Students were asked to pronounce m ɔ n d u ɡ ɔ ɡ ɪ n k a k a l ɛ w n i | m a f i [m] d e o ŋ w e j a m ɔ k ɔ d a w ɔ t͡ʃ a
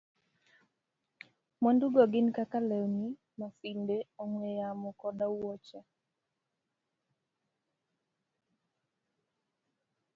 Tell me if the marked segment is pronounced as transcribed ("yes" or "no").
no